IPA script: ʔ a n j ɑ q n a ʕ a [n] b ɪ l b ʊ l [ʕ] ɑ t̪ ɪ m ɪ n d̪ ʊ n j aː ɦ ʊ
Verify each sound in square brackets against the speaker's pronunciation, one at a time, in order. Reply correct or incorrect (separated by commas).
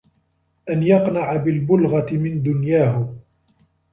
incorrect, incorrect